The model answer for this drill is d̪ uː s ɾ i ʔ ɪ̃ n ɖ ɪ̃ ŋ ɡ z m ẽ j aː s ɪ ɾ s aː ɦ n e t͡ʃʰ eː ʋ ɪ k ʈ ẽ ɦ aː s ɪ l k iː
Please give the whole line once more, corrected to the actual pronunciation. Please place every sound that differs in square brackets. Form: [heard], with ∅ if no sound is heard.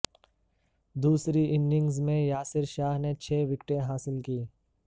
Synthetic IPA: d̪ uː s ɾ i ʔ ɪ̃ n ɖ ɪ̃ ŋ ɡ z m ẽ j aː s ɪ ɾ [ʃ] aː ɦ n e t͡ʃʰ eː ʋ ɪ k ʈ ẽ ɦ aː s ɪ l k iː